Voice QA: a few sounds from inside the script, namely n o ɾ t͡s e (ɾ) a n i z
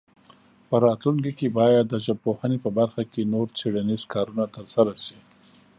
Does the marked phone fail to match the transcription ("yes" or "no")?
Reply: yes